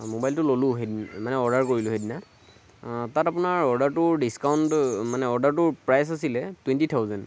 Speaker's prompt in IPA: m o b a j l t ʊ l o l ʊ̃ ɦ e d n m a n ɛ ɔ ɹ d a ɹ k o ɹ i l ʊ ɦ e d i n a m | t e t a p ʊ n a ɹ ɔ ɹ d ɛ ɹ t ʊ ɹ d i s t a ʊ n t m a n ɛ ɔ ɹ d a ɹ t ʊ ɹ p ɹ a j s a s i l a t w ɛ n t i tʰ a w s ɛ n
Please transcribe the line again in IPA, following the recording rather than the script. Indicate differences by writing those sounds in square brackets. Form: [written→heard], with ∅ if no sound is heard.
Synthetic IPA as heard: m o b a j l t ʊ l o l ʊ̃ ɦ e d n m a n ɛ ɔ ɹ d a ɹ k o ɹ i l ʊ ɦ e d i n a [m→∅] | t [e→a] t a p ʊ n a ɹ ɔ ɹ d [ɛ→a] ɹ t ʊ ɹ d i s [t→k] a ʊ n t m a n ɛ ɔ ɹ d a ɹ t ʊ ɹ p ɹ a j s a s i l [a→ɛ] t w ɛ n t i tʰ a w [s→z] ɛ n

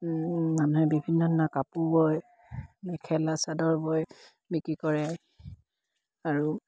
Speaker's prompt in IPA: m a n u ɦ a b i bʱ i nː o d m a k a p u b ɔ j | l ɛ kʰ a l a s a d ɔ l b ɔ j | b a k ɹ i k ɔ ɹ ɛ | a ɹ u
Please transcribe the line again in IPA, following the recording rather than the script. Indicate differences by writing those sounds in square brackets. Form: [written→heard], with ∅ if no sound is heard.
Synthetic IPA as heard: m a n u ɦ [a→ɛ] b i bʱ i nː [o→ɔ] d [m→n] a k a p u b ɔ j | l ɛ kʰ [a→ɛ] l a s a d ɔ [l→ɹ] b ɔ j | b [a→i] k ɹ i k ɔ ɹ ɛ | a ɹ u

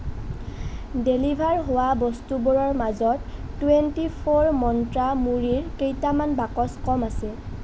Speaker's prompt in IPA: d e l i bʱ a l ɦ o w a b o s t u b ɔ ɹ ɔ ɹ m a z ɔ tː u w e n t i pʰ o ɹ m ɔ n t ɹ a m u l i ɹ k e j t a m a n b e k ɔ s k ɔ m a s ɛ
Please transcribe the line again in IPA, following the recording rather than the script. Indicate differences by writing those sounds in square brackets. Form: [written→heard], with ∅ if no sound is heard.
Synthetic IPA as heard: d e l i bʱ a [l→ɹ] ɦ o w a b [o→ɔ] s t u b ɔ ɹ ɔ ɹ m a z ɔ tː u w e n t i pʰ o ɹ m ɔ n t ɹ a m u [l→ɹ] i ɹ k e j t a m a n b [e→a] k ɔ s k ɔ m a s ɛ

